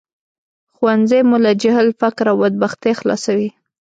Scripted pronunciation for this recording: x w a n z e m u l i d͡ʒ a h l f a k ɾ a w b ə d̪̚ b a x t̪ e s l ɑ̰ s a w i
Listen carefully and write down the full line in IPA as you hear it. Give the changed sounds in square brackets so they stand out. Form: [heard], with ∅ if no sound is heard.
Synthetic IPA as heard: x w a n z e m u l [a] d͡ʒ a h l f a k ɾ a w b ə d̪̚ b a x t̪ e [x] l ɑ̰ s a w i

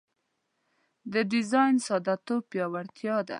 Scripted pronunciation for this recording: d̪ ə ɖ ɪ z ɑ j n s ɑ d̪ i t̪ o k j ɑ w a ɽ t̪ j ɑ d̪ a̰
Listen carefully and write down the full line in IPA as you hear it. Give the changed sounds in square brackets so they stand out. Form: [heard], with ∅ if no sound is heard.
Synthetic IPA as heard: d̪ ə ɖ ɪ z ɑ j n s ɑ d̪ [a] t̪ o [p] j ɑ w a ɽ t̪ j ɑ d̪ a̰

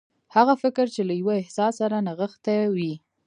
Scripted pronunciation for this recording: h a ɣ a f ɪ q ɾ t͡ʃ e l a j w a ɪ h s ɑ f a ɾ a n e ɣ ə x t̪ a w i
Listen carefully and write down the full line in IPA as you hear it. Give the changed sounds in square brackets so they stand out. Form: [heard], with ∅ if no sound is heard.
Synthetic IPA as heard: h a ɣ a f ɪ [k] ɾ t͡ʃ e l a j w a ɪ h s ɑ [s] a ɾ a n [a] ɣ ə x t̪ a w i

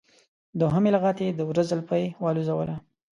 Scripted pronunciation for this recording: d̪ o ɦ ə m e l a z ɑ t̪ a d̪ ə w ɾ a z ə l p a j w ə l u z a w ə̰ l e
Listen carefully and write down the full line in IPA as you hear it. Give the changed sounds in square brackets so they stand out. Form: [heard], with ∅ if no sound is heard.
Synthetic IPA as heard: d̪ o ɦ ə m e l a [ɣ] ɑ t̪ [e] d̪ ə w ɾ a z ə l p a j w [ɑ] l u z a w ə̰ l [a]

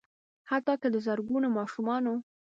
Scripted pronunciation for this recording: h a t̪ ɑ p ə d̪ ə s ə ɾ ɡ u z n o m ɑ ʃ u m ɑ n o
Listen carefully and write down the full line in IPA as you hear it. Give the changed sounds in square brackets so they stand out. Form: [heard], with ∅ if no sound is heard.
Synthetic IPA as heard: h a t̪ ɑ [k] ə d̪ ə [z] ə ɾ ɡ u [∅] n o m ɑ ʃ u m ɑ n o

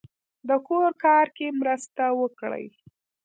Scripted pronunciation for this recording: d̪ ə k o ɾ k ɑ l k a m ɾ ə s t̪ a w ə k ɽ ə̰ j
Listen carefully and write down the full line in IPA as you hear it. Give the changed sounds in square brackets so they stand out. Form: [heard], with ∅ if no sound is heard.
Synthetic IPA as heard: d̪ ə k o ɾ k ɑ [ɾ] k [e] m ɾ ə s t̪ a w ə k ɽ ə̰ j

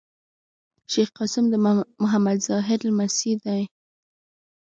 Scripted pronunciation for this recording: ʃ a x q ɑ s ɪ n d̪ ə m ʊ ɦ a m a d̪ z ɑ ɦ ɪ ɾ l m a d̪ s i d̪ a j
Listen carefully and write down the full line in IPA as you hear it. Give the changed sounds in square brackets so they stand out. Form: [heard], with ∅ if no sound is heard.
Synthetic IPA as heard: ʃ [e] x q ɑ s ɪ [m] d̪ ə m ʊ ɦ a m a d̪ z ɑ ɦ ɪ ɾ l m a [∅] s i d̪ a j

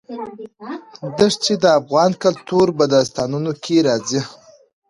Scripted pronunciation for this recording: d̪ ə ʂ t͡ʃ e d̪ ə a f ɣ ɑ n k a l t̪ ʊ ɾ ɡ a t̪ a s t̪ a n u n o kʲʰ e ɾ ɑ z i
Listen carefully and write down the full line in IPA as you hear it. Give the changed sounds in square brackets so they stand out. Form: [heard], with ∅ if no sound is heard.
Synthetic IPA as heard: d̪ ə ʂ t͡ʃ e d̪ ə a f ɣ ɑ n k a l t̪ [u] ɾ [b] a [d̪] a s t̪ [ɑ] n u n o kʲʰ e ɾ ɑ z i

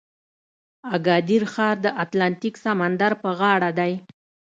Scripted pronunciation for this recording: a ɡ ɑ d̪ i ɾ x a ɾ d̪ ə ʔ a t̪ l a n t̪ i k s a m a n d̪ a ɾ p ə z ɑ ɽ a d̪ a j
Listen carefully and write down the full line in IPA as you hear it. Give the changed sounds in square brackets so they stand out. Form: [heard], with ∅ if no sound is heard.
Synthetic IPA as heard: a ɡ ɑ d̪ i ɾ x [ɑ] ɾ d̪ ə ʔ a t̪ l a n t̪ i k s a m a n d̪ a ɾ p ə [ɣ] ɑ ɽ a d̪ a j

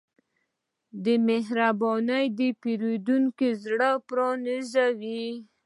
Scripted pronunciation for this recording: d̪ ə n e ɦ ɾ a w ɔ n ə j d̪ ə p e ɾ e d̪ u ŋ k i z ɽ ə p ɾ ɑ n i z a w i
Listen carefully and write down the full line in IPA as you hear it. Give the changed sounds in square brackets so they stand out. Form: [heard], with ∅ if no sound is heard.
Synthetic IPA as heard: d̪ ə [m] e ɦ ɾ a [b] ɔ n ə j d̪ ə p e ɾ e d̪ u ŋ k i z ɽ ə p ɾ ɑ n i z a w i

